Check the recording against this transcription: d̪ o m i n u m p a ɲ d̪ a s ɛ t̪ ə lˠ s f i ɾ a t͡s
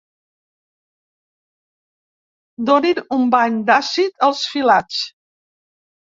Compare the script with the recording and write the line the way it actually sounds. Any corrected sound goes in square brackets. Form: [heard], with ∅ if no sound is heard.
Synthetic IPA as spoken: d̪ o [n] i n u m [b] a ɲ d̪ a s [i] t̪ ə lˠ s f i [l] a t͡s

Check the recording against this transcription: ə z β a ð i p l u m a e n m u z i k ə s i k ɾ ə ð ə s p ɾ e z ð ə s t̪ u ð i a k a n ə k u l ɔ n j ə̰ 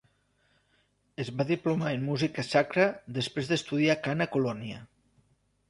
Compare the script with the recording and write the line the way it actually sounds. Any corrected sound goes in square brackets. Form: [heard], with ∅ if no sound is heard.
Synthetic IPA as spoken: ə z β a ð i p l u m a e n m u z i k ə s [a] k ɾ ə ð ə s p ɾ e z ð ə s t̪ u ð i a k a n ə k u l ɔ n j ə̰

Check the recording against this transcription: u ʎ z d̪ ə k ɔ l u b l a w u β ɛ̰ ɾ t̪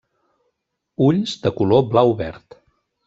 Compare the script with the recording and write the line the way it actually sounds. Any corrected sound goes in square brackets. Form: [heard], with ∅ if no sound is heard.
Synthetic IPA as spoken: u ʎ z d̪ ə k [u] l [o] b l a w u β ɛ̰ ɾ t̪

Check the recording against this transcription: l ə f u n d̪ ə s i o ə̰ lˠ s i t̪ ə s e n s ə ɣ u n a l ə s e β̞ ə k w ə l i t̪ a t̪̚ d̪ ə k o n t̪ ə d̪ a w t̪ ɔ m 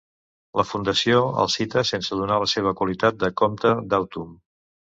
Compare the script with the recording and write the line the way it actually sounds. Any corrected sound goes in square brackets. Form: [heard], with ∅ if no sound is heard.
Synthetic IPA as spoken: l ə f u n d̪ ə s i o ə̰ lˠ s i t̪ ə s e n s ə [ð] u n a l ə s e β̞ ə k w ə l i t̪ a t̪̚ d̪ ə k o [m] t̪ ə d̪ a w t̪ [u] m

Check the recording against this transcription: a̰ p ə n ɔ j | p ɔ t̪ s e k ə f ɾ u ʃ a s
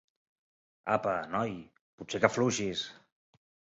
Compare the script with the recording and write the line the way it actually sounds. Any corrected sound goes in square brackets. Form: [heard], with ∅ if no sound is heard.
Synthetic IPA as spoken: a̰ p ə n ɔ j | p [u] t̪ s e k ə f [l] u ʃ [i] s

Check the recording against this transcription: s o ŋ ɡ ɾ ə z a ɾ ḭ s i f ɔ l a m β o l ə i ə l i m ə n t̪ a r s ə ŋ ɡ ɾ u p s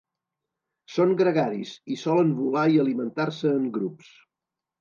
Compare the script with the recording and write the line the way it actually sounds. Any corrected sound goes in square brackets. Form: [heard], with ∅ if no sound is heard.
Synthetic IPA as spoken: s o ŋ ɡ ɾ ə [ɣ] a ɾ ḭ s i [s] ɔ l [ə] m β [u] l [a] i ə l i m ə n t̪ a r s [əː] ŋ ɡ ɾ u p s

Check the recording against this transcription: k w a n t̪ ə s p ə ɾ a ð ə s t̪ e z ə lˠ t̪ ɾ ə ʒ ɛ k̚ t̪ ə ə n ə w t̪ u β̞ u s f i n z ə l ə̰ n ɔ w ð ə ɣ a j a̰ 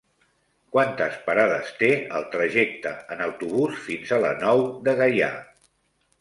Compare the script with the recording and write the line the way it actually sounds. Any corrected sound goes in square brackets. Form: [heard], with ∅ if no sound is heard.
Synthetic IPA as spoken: k w a n t̪ ə s p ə ɾ a ð ə s t̪ e [∅] ə lˠ t̪ ɾ ə ʒ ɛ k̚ t̪ ə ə n ə w t̪ u β̞ u s f i n z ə l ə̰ n ɔ w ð ə ɣ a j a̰

